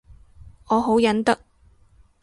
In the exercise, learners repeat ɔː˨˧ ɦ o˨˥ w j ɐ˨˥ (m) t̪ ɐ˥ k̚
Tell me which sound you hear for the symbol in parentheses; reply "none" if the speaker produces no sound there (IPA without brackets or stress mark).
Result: n